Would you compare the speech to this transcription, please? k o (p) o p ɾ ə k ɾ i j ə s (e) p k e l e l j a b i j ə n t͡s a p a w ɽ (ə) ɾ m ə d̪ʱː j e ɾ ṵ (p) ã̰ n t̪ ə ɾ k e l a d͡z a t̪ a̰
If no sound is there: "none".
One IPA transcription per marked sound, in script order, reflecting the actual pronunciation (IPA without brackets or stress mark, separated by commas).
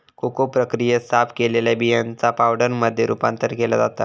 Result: k, a, ə, p